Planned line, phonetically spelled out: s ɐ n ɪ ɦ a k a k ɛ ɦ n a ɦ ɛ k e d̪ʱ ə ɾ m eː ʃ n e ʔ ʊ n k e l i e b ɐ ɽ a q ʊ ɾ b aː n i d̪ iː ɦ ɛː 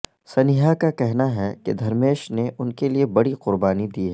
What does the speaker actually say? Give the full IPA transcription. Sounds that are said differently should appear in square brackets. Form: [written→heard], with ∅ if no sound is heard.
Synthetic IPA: s ɐ n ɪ ɦ a k a k ɛ ɦ n a ɦ ɛ k e d̪ʱ [ə→ɐ] ɾ m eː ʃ n e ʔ ʊ n k e l i e b ɐ ɽ [a→i] q ʊ ɾ b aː n i d̪ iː ɦ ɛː

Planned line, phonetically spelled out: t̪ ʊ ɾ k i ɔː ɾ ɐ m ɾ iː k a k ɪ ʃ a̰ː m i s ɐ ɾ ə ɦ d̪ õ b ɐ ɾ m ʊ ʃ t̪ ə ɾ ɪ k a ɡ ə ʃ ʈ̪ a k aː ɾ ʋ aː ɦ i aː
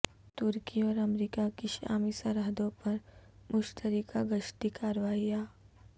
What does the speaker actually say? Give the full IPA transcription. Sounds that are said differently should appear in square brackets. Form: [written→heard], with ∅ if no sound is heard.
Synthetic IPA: t̪ ʊ ɾ k i ɔː ɾ ɐ m ɾ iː k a k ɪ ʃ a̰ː m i s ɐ ɾ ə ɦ d̪ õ [b→p] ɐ ɾ m ʊ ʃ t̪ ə ɾ [ɪ→i] k a ɡ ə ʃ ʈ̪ [a→i] k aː ɾ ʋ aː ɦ i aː

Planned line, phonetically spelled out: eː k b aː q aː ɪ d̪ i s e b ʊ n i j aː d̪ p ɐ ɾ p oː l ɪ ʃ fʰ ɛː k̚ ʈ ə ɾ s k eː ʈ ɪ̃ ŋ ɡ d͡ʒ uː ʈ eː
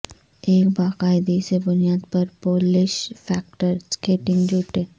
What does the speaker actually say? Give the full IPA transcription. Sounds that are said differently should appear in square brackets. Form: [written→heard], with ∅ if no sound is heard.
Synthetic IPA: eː k b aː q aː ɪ d̪ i s e b ʊ n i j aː d̪ p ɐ ɾ p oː l ɪ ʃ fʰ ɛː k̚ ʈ ə ɾ s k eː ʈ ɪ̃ ŋ ɡ d͡ʒ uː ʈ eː

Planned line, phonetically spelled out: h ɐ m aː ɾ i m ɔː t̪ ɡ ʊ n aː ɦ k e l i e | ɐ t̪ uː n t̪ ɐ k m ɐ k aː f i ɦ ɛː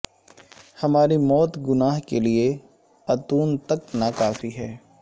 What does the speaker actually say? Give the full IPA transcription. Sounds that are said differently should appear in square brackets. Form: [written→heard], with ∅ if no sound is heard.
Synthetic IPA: h ɐ m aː ɾ i m ɔː t̪ ɡ ʊ n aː ɦ k e l i e | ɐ t̪ uː n t̪ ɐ k [m→n] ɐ k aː f i ɦ ɛː

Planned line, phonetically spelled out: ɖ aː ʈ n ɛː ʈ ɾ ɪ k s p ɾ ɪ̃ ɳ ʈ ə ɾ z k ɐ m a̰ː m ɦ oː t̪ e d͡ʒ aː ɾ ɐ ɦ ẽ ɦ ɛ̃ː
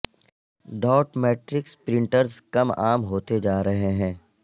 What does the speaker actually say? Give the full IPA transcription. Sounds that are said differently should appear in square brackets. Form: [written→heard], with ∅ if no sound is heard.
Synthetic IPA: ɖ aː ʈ [n→m] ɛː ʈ ɾ ɪ k s p ɾ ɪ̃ ɳ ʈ ə ɾ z k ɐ m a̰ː m ɦ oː t̪ e d͡ʒ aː ɾ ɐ ɦ [ẽ→e] ɦ ɛ̃ː

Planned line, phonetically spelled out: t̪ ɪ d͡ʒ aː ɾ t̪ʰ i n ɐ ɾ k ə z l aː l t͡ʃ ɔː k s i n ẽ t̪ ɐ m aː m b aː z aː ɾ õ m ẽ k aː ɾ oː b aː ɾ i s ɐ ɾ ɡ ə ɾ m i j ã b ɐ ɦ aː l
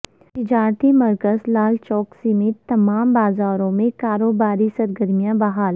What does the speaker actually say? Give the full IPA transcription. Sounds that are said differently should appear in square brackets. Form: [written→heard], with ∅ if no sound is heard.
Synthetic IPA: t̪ ɪ d͡ʒ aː ɾ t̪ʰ i [n→m] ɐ ɾ k ə z l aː l t͡ʃ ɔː k s i [n→m] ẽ t̪ ɐ m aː m b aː z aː ɾ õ m ẽ k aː ɾ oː b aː ɾ i s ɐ ɾ ɡ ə ɾ m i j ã b ɐ ɦ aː l

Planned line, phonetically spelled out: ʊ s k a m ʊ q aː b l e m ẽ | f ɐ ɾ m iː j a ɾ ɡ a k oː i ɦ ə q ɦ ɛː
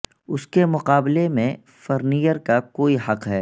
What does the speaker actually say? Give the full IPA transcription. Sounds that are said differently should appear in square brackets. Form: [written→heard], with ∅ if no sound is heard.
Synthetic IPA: ʊ s k [a→e] m ʊ q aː b l e m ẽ | f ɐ ɾ [m→n] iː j [a→ə] ɾ [ɡ→k] a k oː i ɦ [ə→ɐ] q ɦ ɛː

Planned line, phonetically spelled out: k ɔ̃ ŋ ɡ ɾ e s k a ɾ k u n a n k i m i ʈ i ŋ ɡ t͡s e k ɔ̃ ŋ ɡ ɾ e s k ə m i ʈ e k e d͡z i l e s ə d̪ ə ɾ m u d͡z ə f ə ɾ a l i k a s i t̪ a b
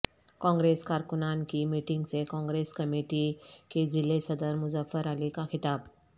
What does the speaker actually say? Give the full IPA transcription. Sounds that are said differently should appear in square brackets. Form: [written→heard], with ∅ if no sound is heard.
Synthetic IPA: k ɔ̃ ŋ ɡ ɾ e s k a ɾ k u n a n k i m i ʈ i ŋ ɡ t͡s e k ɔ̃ ŋ ɡ ɾ e s k ə m i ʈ [e→i] k e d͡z i l e s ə d̪ ə ɾ m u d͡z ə f ə ɾ a l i k a [s→x] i t̪ a b

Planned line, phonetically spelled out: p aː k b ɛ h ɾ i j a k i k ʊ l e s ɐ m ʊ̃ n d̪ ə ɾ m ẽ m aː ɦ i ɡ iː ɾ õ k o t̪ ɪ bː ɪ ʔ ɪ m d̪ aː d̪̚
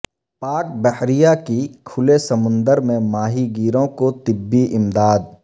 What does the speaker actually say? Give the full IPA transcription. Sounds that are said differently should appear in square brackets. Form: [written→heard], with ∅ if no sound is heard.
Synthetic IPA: p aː k b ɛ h ɾ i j a k i [k→kʰ] ʊ l e s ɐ m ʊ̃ n d̪ ə ɾ m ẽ m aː ɦ i ɡ iː ɾ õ k o t̪ ɪ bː [ɪ→i] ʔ ɪ m d̪ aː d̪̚

